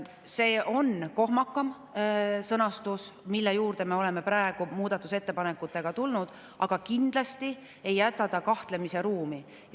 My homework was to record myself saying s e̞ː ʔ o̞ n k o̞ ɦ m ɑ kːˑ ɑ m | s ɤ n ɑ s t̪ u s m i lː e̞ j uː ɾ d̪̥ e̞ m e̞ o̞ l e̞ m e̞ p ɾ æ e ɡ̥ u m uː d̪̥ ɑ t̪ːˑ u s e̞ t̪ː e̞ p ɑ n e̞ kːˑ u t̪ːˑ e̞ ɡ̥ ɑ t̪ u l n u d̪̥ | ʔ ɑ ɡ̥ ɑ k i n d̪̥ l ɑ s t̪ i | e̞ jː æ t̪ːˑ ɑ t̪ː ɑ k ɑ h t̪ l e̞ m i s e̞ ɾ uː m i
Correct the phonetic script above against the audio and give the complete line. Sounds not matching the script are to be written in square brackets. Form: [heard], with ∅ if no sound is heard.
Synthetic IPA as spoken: s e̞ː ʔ o̞ n k o̞ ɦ m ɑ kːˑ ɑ m | s ɤ n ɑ s t̪ u s m i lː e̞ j uː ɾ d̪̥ e̞ m e̞ o̞ l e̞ m e̞ p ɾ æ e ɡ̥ u m uː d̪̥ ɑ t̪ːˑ u s e̞ t̪ː e̞ p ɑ n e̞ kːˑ u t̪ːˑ e̞ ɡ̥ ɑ t̪ u l n u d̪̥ | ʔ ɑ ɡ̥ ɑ k i n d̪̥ l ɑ s t̪ i | e̞ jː æ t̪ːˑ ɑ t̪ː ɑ k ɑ h t̪ l e̞ m i s e̞ ɾ uː m i

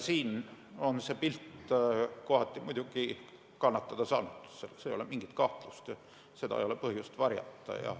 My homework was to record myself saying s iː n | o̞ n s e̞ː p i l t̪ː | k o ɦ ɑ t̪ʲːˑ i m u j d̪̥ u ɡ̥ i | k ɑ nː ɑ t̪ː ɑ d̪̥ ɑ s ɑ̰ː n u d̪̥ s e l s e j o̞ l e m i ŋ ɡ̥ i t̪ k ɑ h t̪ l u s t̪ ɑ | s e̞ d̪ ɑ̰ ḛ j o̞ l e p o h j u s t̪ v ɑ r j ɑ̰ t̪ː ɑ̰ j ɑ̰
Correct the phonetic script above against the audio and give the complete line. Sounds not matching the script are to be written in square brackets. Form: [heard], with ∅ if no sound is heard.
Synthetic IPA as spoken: s iː n | o̞ n s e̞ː p i l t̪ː | k o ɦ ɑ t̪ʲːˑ i m u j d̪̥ u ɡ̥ i | k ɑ nː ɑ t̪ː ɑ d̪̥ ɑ s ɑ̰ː n u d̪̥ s e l s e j o̞ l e m i ŋ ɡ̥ i t̪ k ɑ h t̪ l u s t̪ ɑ | s e̞ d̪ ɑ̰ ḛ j o̞ l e p [ɤ] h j u s t̪ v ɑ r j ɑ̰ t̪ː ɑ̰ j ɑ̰

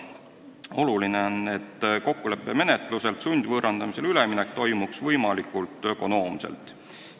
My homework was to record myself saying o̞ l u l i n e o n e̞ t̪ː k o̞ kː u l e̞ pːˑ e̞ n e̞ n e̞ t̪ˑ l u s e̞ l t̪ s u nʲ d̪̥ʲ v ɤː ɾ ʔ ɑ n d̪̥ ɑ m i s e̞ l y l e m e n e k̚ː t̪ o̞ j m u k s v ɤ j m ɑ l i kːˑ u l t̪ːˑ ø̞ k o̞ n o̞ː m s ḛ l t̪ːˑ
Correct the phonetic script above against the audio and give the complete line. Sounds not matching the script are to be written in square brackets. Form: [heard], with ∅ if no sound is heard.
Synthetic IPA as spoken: o̞ l u l i n e o n e̞ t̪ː k o̞ kː u l e̞ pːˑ e̞ [m] e̞ n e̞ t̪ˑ l u s e̞ l t̪ s u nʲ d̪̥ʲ v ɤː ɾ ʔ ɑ n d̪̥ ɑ m i s e̞ l y l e m [i] n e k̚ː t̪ o̞ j m u k s v ɤ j m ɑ l i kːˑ u l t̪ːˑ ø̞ k o̞ n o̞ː m s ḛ l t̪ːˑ

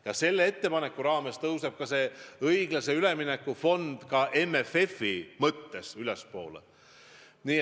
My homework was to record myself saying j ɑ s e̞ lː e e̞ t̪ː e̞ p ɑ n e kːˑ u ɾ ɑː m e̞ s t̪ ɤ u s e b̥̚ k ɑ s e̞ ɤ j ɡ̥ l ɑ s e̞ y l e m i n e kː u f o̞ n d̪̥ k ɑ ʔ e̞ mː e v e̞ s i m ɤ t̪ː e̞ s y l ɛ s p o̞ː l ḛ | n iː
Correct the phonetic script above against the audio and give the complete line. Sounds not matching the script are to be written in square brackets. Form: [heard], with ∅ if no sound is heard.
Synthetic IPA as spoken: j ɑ s e̞ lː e e̞ t̪ː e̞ p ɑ n e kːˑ u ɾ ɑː m e̞ s t̪ ɤ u s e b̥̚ k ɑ s e̞ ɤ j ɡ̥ l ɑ s e̞ y l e m i n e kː u f o̞ n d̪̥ k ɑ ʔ e̞ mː e [f] e̞ [f] i m ɤ t̪ː e̞ s y l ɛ s p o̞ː l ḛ | n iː

